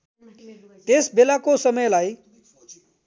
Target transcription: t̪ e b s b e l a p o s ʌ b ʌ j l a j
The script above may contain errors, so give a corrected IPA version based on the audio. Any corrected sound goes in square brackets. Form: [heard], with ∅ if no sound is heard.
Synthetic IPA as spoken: t̪ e [∅] s b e l a [k] o s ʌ [m] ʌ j l a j

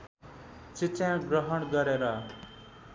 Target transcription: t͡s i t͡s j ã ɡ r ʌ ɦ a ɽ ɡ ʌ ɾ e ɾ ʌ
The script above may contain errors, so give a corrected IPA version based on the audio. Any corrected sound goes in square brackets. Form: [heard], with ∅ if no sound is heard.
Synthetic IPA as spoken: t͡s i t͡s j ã ɡ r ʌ ɦ [ʌ] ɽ ɡ ʌ ɾ e ɾ ʌ

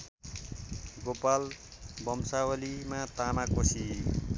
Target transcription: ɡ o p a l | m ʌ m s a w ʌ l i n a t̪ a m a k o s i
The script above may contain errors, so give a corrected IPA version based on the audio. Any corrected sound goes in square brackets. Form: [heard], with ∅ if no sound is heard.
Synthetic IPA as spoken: ɡ o p a l | [b] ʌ m s a w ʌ l i [m] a t̪ a m a k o s i

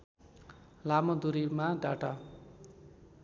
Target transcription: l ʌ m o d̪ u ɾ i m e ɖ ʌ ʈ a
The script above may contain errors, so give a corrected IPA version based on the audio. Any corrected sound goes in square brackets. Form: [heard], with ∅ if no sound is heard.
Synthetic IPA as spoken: l [a] m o d̪ u ɾ i m [a] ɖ [a] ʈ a

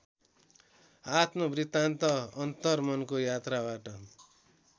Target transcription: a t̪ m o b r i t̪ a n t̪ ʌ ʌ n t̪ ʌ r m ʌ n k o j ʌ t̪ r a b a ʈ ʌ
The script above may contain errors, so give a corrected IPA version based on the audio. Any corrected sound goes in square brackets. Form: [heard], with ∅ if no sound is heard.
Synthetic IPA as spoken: a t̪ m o b r i t̪ a n t̪ ʌ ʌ n t̪ ʌ r m ʌ n k o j [a] t̪ r a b a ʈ ʌ

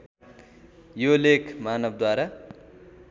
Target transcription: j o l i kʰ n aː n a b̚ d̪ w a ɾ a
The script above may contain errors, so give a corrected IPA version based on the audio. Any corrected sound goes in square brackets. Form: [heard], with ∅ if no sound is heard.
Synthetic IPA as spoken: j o l [e] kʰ [m] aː n [ʌ] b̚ d̪ w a ɾ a

